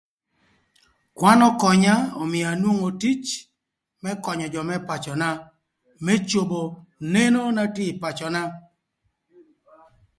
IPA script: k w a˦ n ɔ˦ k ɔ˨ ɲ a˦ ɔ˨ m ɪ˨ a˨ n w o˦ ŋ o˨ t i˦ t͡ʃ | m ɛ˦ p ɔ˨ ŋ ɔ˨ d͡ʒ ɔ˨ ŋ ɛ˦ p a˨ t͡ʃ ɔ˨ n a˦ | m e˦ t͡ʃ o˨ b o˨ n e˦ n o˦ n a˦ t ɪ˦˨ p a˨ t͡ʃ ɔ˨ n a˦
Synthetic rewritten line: k w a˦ n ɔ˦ k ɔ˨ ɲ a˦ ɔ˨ m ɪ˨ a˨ n w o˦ ŋ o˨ t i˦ t͡ʃ | m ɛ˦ k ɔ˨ ɲ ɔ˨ d͡ʒ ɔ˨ m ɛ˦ p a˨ t͡ʃ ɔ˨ n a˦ | m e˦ t͡ʃ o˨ b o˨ n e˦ n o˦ n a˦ t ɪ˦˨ p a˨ t͡ʃ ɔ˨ n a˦